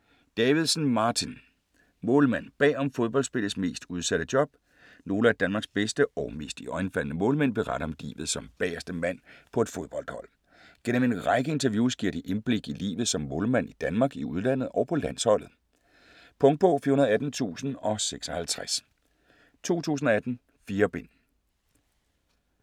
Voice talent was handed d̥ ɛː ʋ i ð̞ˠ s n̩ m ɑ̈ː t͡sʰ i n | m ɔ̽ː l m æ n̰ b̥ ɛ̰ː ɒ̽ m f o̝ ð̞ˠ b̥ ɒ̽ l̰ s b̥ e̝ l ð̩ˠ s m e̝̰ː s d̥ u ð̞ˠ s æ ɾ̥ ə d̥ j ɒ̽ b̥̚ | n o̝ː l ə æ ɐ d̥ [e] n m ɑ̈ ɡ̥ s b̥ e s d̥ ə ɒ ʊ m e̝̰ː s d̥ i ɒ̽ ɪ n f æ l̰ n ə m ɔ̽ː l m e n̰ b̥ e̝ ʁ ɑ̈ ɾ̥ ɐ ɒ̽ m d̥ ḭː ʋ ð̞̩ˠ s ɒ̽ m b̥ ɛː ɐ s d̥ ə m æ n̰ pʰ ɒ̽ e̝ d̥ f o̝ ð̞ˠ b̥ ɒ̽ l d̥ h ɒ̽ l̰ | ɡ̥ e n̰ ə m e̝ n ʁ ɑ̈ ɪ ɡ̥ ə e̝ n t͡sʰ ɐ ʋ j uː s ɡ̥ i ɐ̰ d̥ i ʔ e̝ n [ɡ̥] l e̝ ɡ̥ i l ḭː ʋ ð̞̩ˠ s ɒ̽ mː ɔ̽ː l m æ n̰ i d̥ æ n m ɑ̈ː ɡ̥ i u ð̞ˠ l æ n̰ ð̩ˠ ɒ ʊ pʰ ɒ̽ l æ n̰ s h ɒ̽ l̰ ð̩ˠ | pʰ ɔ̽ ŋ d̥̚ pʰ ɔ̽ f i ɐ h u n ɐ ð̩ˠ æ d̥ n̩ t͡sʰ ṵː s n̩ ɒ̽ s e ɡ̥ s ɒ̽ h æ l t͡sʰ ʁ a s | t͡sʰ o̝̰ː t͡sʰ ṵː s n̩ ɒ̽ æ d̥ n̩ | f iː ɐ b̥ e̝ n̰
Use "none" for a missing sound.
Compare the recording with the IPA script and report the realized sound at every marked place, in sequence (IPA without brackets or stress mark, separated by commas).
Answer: æ, b̥